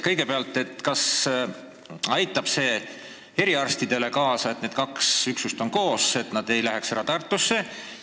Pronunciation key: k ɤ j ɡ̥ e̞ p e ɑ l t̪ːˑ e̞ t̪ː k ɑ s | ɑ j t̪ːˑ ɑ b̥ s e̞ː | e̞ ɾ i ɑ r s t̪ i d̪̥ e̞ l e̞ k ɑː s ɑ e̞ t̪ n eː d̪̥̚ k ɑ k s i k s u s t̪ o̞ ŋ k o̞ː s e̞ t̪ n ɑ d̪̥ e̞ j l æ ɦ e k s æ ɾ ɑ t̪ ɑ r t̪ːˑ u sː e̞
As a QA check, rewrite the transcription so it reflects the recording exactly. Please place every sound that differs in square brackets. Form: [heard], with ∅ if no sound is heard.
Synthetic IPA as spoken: k ɤ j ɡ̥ e̞ p e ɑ l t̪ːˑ e̞ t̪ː k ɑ s | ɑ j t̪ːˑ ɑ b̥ s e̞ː | e̞ ɾ i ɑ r s t̪ i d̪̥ e̞ l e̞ k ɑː s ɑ e̞ t̪ n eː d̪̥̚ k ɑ k s [y] k s u s t̪ o̞ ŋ k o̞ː s e̞ t̪ n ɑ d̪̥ e̞ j l æ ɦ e k s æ ɾ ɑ t̪ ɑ r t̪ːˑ u sː e̞